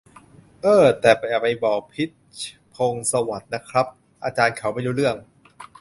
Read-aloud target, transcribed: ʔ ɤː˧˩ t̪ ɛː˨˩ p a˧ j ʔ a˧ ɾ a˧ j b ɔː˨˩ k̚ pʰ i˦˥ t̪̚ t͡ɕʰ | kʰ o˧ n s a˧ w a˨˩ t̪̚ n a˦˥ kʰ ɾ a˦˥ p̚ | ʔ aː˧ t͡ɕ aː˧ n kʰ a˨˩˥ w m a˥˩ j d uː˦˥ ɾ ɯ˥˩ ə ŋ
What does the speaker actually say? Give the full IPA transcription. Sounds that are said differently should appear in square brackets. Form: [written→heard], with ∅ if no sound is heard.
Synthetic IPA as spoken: ʔ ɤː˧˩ t̪ ɛː˨˩ p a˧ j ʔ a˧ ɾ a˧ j b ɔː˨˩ k̚ pʰ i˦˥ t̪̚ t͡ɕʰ | [kʰ→pʰ] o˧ [n→ŋ] s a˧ w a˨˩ t̪̚ n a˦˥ kʰ ɾ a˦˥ p̚ | ʔ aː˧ t͡ɕ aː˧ n kʰ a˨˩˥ w m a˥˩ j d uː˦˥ ɾ ɯ˥˩ ə ŋ